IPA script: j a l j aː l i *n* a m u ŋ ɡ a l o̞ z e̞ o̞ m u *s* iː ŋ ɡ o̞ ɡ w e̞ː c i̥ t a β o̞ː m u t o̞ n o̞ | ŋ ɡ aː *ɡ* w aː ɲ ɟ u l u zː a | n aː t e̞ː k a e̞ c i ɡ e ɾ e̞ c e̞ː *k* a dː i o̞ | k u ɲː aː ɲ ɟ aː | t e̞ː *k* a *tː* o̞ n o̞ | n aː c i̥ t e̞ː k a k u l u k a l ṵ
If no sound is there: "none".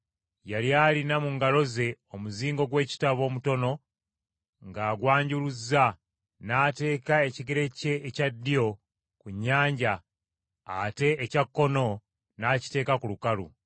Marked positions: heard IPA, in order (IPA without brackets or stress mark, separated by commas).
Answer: n, z, ɡ, c, c, kː